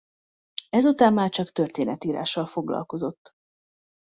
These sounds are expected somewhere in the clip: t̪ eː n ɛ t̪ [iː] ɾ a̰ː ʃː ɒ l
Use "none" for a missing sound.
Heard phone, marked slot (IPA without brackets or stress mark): iː